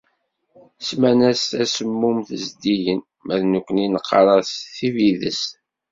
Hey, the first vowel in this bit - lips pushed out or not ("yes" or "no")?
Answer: no